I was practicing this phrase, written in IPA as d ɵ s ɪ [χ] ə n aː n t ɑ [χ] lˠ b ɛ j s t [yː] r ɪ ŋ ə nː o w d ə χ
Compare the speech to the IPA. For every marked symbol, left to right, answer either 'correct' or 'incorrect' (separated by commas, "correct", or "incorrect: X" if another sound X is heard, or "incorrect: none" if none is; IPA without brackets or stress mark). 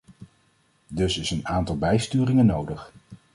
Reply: incorrect: s, incorrect: none, correct